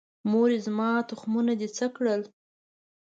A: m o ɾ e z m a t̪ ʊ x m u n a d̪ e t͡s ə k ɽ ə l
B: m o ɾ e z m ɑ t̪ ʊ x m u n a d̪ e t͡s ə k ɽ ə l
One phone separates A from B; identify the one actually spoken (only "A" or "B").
B